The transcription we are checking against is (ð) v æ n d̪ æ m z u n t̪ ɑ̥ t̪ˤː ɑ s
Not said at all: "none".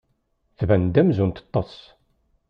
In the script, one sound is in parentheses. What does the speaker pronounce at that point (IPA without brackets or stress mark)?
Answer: θ